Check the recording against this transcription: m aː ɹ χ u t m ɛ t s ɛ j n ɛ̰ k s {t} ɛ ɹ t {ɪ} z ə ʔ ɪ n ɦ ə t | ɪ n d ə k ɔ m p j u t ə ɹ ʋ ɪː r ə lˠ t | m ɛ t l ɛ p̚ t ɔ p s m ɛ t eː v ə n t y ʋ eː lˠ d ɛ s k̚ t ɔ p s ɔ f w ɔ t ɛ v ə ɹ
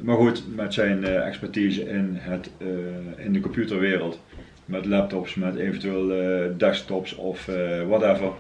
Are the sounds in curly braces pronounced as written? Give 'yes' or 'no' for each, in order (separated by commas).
no, no